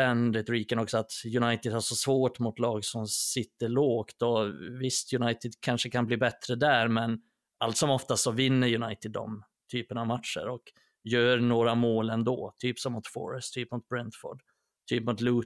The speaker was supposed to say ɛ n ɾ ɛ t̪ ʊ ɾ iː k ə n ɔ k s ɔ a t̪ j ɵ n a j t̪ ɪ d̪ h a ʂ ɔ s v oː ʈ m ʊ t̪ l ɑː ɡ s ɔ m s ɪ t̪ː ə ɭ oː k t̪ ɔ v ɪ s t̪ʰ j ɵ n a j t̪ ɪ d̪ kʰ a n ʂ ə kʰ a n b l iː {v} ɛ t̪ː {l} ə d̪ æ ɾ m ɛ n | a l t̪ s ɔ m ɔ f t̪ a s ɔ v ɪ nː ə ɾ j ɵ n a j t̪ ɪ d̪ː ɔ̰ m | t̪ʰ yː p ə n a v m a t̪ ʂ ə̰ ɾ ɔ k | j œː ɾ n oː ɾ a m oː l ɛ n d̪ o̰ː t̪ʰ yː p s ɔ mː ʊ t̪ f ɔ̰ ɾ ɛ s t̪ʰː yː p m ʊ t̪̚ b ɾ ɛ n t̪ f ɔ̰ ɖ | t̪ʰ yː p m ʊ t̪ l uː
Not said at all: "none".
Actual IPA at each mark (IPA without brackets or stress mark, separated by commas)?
b, ɾ